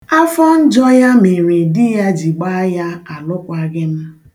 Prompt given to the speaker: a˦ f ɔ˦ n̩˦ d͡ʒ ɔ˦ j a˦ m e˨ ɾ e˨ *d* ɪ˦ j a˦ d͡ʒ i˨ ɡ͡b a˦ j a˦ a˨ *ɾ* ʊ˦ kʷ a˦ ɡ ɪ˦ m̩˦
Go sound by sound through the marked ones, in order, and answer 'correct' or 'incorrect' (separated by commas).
correct, incorrect